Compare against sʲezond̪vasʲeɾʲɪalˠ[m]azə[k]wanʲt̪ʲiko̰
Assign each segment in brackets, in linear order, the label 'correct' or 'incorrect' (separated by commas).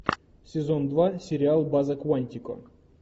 incorrect, correct